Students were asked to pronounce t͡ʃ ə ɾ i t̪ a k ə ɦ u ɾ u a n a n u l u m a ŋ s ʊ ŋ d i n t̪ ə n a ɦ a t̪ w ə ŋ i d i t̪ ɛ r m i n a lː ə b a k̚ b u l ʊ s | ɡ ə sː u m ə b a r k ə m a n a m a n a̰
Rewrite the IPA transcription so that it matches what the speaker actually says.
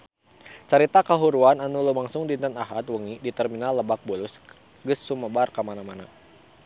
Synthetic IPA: t͡ʃ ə ɾ i t̪ a k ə ɦ u ɾ u a n a n u l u m a ŋ s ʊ ŋ d i n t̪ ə n a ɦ a t̪ w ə ŋ i d i t̪ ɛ r m i n a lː ə b a k̚ b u l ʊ s | ɡ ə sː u m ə b a r k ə m a n a m a n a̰